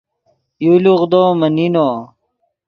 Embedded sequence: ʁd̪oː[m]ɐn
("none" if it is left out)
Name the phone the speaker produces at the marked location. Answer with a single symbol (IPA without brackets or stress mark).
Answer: m